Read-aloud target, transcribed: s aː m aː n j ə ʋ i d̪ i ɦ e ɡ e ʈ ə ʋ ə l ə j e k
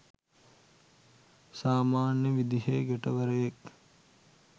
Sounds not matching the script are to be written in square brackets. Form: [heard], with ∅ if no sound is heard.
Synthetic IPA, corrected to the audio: s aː m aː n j ə ʋ i d̪ i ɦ e ɡ e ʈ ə ʋ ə [ɾ] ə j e k